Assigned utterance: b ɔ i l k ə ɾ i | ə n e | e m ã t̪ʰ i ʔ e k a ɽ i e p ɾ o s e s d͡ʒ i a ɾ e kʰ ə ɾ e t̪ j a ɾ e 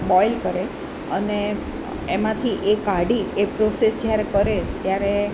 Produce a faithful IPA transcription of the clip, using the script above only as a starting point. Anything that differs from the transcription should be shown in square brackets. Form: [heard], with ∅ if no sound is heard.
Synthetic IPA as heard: b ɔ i l k ə ɾ [e] | ə n e | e m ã t̪ʰ i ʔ e k a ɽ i e p ɾ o s e s d͡ʒ [j] a ɾ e [k] ə ɾ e t̪ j a ɾ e

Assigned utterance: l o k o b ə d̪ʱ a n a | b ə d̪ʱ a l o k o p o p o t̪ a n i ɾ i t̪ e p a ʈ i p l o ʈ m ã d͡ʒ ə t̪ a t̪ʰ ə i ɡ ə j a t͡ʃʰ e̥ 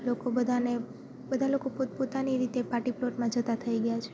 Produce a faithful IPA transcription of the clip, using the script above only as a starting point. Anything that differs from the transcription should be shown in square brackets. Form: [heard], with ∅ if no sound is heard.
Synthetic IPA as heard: l o k o b ə d̪ʱ a n [e] | b ə d̪ʱ a l o k o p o p o t̪ a n i ɾ i t̪ e p a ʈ i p l o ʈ m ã d͡ʒ ə t̪ a t̪ʰ ə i ɡ ə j a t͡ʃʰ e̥

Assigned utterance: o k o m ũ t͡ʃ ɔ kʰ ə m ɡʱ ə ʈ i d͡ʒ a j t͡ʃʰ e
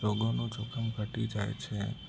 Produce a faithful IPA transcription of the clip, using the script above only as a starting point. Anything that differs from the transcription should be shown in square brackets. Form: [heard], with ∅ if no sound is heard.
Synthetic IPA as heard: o [ɡ] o [n] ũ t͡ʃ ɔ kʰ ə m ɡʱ ə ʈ i d͡ʒ a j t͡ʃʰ e

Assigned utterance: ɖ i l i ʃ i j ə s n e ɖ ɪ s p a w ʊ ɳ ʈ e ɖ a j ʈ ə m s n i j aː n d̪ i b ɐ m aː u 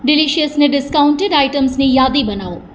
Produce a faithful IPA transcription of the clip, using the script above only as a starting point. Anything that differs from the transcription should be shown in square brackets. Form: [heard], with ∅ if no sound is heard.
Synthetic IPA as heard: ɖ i l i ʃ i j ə s n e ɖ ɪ s [k] a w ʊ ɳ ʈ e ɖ a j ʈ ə m s n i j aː [∅] d̪ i b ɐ [n] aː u

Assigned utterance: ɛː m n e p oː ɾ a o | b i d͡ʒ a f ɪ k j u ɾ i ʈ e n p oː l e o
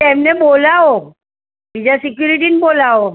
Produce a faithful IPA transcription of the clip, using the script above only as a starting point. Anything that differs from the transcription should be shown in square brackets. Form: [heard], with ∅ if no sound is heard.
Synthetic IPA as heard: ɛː m n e [b] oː [l] a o | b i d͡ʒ a [s] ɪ k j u ɾ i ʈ [i] n [b] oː l [a] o

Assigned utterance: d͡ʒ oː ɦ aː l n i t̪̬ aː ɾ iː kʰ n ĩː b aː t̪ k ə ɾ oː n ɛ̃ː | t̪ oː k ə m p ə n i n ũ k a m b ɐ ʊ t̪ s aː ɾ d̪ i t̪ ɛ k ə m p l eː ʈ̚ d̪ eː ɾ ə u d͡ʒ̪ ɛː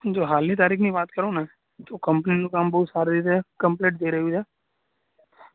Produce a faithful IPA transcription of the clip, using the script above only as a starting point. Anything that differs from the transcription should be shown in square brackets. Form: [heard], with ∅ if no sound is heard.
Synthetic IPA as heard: d͡ʒ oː ɦ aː l n i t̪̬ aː ɾ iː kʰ n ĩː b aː t̪ k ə ɾ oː n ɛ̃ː | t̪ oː k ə m p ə n i n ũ k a m b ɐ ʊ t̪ s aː ɾ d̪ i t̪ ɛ k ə m p l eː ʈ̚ d̪ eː ɾ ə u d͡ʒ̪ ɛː

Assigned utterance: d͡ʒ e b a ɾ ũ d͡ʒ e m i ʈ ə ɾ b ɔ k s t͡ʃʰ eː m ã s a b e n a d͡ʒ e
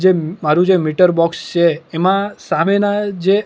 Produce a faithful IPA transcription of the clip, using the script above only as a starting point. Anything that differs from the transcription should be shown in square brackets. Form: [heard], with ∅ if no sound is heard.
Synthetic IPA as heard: d͡ʒ e [m] a ɾ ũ d͡ʒ e m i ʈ ə ɾ b ɔ k s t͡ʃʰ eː m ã s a [m] e n a d͡ʒ e

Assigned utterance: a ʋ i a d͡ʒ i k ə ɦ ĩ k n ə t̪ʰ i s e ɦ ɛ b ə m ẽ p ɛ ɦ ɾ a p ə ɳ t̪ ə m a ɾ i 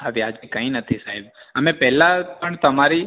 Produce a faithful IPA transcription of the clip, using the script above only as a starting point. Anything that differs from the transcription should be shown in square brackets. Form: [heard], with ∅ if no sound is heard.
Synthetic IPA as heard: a ʋ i a d͡ʒ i k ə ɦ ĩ [∅] n ə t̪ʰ i s [a] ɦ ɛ b ə m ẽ p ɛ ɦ [l] a p ə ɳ t̪ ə m a ɾ i

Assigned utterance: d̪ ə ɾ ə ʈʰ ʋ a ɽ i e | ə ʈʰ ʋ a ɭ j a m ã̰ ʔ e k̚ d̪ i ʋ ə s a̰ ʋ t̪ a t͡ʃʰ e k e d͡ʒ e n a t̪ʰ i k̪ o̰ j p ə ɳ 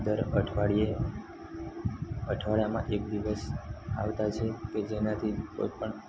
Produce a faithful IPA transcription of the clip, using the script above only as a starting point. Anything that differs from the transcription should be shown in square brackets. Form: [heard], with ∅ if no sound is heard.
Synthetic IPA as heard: d̪ ə ɾ ə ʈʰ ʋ a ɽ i e | ə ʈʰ ʋ a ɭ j a m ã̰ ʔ e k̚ d̪ i ʋ ə s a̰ ʋ t̪ a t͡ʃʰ e k e d͡ʒ e n a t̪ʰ i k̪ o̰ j p ə ɳ

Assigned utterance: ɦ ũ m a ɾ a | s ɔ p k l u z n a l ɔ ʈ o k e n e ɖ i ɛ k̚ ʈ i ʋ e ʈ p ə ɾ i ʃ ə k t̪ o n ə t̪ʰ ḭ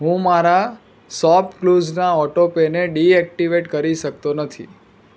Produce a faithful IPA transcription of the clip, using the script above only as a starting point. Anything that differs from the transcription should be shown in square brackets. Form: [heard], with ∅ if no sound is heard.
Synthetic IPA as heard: ɦ ũ m a ɾ a | s ɔ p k l u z n a [∅] ɔ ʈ o [p] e n e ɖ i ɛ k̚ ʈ i ʋ e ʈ [k] ə ɾ i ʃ ə k t̪ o n ə t̪ʰ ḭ

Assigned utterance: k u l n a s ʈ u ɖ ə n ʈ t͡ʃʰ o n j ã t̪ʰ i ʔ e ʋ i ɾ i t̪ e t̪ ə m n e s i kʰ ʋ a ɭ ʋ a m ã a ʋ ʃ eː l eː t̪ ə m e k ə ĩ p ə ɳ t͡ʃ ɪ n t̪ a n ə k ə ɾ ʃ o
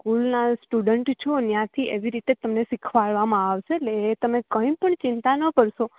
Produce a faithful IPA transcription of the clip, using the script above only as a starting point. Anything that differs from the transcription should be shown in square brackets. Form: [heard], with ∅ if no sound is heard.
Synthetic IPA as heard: k u l n a s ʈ u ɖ ə [ɳ] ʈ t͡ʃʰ o n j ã t̪ʰ i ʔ e ʋ i ɾ i t̪ e t̪ ə m n e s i kʰ ʋ a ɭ ʋ a m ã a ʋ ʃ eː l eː t̪ ə m e k ə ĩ p ə ɳ t͡ʃ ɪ n t̪ a n ə k ə ɾ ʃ o

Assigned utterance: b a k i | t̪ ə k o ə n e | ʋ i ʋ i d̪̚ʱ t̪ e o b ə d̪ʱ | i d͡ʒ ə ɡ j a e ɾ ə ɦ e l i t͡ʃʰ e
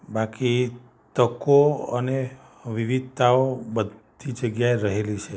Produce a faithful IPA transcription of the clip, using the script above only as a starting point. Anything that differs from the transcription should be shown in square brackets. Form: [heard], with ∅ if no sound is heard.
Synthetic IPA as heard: b a k i | t̪ ə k o ə n e | ʋ i ʋ i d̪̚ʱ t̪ [a] o b ə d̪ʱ | i d͡ʒ ə ɡ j a e ɾ ə ɦ e l i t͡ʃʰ e

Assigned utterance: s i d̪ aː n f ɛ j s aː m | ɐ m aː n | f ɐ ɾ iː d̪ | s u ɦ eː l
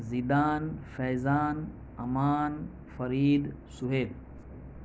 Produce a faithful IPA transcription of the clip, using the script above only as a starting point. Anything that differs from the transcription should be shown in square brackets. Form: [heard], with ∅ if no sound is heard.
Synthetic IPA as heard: [z] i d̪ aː n f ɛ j [z] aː [n] | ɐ m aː n | f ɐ ɾ iː d̪ | s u ɦ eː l

